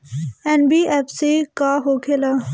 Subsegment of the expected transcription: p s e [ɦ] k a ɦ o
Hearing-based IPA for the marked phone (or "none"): none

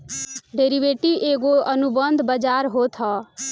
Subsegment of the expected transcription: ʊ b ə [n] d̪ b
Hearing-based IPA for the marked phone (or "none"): n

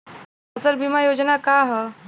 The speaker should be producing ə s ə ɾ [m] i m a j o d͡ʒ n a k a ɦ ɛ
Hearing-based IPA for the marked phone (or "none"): b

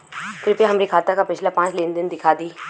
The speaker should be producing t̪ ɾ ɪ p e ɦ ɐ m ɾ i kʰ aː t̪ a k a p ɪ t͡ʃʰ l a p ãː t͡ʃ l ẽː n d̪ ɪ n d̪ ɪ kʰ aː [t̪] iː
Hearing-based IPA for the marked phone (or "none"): d̪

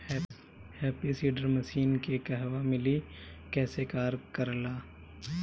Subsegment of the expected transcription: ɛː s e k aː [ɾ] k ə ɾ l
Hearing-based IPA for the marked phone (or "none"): ɾ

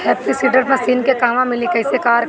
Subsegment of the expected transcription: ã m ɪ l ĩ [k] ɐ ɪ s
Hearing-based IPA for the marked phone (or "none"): k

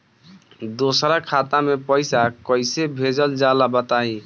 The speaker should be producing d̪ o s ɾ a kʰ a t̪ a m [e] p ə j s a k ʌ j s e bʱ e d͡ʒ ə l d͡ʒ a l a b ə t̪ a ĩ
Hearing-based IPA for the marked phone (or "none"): e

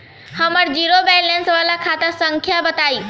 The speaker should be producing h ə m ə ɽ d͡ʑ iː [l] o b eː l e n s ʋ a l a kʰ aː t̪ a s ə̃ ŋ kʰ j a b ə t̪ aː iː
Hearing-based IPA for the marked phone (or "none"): ɾ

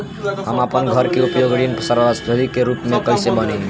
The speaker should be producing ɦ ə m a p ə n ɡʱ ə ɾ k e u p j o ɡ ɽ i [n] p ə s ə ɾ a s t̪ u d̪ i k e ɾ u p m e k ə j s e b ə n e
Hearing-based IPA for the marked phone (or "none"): n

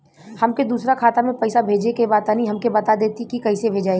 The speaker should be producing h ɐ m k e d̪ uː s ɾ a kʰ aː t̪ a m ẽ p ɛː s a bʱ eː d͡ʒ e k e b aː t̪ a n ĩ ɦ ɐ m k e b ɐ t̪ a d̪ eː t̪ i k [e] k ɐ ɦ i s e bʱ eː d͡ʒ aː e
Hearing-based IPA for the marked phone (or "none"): i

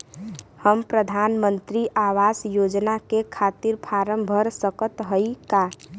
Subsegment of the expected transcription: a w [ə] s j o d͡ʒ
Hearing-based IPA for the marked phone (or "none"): a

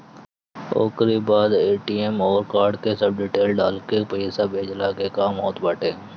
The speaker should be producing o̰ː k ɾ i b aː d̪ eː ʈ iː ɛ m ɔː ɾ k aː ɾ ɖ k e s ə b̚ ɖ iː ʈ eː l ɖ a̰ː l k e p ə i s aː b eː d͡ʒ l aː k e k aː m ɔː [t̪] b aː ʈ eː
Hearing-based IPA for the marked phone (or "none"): t̪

